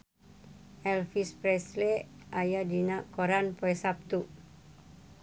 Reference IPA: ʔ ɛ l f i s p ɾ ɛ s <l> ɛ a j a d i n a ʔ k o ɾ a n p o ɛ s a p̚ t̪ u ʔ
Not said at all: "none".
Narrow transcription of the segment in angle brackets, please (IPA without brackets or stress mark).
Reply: l